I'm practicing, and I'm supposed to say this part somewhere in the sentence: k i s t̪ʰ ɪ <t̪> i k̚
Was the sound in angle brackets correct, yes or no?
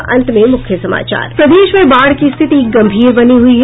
yes